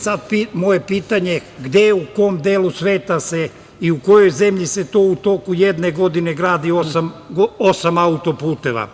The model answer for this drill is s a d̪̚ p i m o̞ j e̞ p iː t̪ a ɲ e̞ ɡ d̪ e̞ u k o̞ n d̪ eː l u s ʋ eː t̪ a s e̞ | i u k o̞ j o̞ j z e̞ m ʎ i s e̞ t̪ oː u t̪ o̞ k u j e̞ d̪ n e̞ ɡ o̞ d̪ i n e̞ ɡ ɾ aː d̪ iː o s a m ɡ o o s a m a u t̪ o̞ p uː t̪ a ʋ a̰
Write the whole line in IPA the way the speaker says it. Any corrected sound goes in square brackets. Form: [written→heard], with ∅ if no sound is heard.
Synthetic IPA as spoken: s a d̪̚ p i m o̞ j e̞ p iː t̪ a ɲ e̞ ɡ d̪ e̞ u k o̞ [n→m] d̪ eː l u s ʋ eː t̪ a s e̞ | i u k o̞ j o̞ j z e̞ m ʎ i s e̞ t̪ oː u t̪ o̞ k u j e̞ d̪ n e̞ ɡ o̞ d̪ i n e̞ ɡ ɾ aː d̪ [iː→i] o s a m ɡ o o s a m a u t̪ o̞ p uː t̪ [a→e] ʋ a̰